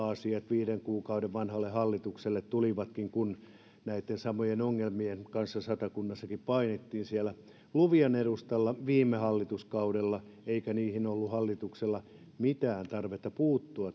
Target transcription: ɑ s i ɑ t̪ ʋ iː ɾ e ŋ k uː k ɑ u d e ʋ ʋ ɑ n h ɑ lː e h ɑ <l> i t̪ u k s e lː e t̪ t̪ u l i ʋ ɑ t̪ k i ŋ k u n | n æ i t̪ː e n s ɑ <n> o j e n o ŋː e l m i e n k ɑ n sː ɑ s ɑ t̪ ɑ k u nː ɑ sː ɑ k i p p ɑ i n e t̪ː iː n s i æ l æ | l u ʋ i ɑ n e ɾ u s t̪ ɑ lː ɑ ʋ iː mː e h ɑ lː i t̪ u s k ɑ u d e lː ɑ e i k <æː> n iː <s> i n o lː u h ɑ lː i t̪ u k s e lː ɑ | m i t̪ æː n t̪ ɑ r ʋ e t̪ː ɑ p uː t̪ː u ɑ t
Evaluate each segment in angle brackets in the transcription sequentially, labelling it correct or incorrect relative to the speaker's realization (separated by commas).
incorrect, incorrect, incorrect, incorrect